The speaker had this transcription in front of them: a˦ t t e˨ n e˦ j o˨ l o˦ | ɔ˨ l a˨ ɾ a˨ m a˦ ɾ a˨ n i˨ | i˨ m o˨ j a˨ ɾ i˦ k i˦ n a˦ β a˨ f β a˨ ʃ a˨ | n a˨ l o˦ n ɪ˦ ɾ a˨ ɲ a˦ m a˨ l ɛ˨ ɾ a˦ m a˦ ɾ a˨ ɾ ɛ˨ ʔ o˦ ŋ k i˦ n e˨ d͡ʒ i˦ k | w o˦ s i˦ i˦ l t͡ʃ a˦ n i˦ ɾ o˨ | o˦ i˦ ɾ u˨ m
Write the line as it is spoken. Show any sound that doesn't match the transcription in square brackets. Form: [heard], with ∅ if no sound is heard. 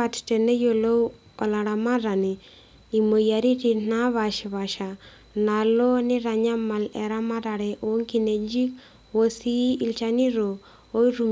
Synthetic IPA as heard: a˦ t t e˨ n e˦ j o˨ l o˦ | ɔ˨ l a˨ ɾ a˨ m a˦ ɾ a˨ n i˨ | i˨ m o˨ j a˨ ɾ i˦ [t] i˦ n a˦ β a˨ [ʃ] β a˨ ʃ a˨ | n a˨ l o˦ n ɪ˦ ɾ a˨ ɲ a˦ m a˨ l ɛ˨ ɾ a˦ m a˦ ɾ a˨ ɾ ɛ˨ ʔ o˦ ŋ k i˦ n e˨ d͡ʒ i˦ k | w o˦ s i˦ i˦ l t͡ʃ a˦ n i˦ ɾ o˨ | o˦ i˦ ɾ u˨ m